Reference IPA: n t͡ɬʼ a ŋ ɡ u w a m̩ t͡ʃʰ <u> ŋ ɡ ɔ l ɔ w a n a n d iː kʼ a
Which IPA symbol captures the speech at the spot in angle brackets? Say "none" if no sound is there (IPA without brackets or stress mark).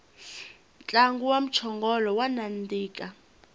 ɔ